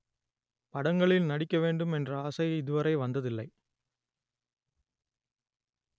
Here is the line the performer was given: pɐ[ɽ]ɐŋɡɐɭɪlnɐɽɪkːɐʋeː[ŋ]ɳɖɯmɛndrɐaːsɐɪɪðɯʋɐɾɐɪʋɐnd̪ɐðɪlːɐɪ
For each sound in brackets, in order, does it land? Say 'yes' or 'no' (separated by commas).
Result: yes, no